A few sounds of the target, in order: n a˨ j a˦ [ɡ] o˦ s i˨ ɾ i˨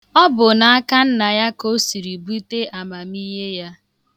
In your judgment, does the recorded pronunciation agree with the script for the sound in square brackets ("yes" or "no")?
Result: no